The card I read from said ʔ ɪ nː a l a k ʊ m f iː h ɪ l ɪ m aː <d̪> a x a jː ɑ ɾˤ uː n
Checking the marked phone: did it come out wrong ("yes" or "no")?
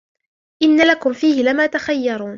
yes